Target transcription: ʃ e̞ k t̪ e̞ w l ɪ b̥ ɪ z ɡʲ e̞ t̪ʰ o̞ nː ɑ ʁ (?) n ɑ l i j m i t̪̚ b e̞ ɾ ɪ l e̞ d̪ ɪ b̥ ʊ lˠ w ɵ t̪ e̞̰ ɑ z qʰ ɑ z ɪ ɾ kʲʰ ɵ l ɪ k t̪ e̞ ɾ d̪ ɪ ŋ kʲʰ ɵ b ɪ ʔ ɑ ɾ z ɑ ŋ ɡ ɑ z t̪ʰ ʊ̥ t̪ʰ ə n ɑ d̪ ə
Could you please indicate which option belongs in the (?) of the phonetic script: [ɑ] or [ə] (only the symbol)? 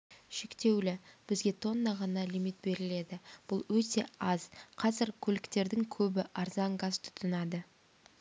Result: ɑ